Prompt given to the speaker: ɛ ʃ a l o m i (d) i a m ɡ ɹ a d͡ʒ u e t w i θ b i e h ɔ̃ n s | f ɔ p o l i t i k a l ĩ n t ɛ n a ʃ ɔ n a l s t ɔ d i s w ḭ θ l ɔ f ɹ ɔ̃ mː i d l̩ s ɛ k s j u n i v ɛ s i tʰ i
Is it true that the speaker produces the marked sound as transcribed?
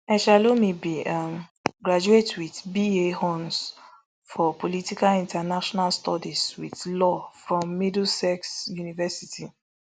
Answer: no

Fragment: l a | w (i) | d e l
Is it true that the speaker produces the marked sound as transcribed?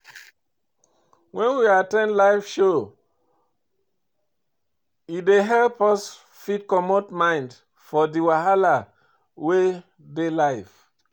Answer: no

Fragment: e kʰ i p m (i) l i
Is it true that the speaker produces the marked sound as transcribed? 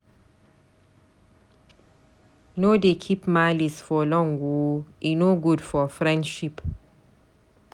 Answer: no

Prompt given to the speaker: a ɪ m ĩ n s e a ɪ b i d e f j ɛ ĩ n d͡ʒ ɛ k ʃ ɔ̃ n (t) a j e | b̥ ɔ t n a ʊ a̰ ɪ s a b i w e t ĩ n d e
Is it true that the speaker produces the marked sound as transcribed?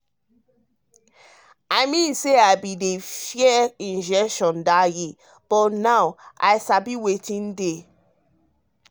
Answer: no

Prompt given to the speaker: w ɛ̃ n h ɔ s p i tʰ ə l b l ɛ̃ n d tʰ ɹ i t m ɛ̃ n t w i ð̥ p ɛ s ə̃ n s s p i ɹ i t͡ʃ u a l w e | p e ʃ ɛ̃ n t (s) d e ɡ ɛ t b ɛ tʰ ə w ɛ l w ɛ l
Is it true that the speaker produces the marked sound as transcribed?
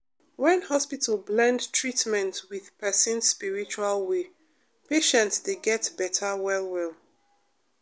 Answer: yes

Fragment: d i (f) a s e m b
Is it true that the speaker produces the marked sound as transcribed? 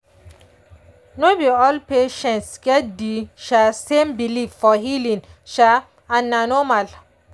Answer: no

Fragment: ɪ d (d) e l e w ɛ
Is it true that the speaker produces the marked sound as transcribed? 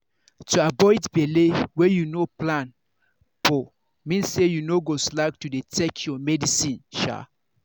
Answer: no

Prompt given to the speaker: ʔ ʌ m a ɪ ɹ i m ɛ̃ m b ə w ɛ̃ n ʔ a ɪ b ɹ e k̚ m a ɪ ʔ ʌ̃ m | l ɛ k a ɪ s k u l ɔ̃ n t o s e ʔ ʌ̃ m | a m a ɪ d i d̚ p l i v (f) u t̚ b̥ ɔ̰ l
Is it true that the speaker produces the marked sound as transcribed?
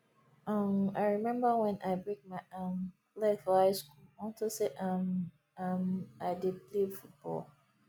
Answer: yes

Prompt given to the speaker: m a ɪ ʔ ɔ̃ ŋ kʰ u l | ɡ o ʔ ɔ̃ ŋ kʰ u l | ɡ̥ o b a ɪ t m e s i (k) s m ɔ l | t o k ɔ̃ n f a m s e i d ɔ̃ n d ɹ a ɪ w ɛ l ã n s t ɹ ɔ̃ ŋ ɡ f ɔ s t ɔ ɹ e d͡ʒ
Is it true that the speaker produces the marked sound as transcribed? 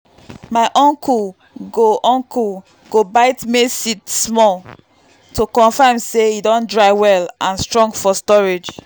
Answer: no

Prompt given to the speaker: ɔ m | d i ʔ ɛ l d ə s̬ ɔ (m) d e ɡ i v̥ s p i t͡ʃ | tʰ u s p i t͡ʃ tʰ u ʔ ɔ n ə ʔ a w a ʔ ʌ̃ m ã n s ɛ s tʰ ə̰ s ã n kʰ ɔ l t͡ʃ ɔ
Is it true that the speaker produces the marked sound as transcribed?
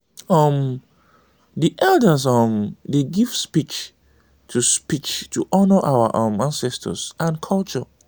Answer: yes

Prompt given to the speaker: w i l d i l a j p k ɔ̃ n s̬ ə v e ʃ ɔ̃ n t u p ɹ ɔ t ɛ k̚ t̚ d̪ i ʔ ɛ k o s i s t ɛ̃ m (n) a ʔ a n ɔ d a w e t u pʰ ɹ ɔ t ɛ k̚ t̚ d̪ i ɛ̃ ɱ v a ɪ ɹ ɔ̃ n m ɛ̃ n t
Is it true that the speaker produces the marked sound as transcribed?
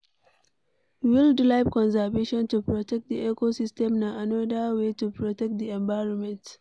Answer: yes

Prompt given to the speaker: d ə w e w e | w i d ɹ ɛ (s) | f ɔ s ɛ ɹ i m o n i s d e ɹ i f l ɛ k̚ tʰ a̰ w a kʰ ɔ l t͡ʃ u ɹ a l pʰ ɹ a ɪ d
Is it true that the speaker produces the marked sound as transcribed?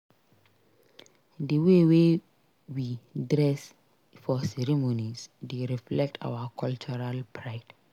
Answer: yes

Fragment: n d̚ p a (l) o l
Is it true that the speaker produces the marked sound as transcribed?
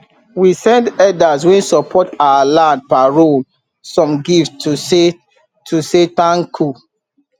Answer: no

